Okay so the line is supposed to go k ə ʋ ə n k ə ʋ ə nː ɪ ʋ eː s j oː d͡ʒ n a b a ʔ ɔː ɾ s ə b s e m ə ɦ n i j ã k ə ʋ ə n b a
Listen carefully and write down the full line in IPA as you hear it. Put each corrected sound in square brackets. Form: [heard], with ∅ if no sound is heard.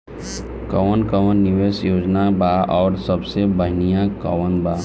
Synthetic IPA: k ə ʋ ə n k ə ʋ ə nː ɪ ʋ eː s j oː d͡ʒ n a b a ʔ ɔː ɾ s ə b s e [b] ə ɦ n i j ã k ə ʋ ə n b a